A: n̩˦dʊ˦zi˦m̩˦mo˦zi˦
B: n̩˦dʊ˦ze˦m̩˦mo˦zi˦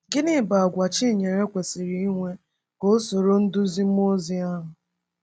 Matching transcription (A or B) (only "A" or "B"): A